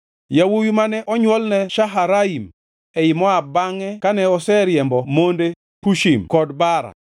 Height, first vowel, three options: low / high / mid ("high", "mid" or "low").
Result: low